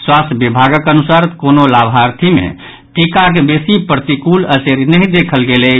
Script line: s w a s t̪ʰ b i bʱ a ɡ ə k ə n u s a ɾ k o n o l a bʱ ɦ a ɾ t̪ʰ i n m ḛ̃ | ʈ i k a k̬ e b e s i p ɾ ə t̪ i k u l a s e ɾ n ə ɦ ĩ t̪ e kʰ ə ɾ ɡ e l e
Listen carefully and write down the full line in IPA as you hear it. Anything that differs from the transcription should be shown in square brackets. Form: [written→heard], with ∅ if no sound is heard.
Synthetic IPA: s w a s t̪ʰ b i bʱ a ɡ ə k ə n u s a ɾ k o n o l a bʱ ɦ a ɾ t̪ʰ i [n→∅] m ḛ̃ | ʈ i k a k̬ e b e s i p ɾ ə t̪ i k u l [a→ə] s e ɾ n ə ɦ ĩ [t̪→d̪] e kʰ ə [ɾ→l] ɡ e l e